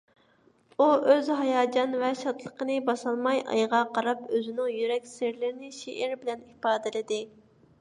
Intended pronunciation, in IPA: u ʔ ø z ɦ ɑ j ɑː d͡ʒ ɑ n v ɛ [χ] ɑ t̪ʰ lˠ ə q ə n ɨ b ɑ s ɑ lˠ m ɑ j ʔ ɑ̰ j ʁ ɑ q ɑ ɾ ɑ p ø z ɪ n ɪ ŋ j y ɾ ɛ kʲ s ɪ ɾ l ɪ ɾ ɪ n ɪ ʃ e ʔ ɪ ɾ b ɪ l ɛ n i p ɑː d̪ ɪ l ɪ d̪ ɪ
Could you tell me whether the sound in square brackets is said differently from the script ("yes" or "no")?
yes